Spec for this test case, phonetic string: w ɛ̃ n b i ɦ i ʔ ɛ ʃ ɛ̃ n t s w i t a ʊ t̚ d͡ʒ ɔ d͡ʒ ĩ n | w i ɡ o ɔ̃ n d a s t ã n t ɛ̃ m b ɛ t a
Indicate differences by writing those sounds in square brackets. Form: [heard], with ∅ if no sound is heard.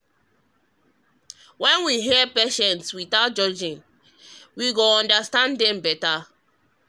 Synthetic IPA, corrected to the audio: w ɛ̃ n [w] i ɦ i [p] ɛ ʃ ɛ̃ n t s w i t a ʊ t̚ d͡ʒ ɔ d͡ʒ ĩ n | w i ɡ o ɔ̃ n d a s t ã n [d] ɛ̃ m b ɛ t a